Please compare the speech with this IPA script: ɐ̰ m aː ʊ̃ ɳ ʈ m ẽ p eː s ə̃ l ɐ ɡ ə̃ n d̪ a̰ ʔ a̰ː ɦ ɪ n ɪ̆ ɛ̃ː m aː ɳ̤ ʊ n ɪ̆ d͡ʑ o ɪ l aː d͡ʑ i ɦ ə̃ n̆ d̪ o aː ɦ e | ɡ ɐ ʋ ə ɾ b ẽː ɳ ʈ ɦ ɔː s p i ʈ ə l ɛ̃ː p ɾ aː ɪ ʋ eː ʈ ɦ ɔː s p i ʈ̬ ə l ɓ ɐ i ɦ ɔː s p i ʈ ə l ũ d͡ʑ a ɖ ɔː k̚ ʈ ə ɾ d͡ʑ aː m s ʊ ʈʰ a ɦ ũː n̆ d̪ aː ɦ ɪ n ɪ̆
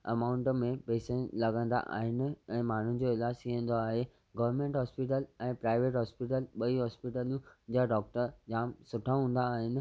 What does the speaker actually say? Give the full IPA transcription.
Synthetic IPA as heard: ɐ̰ m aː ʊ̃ ɳ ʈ m ẽ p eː s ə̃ l ɐ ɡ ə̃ n d̪ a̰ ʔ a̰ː ɦ ɪ n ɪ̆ ɛ̃ː m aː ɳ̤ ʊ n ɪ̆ d͡ʑ o ɪ l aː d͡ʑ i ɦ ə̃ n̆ d̪ o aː ɦ e | ɡ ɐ ʋ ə ɾ m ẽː ɳ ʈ ɦ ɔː s p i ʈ ə l ɛ̃ː p ɾ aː ɪ ʋ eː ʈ ɦ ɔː s p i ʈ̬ ə l ɓ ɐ i ɦ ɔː s p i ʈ ə l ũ d͡ʑ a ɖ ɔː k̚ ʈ ə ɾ d͡ʑ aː m s ʊ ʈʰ a ɦ ũː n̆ d̪ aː ɦ ɪ n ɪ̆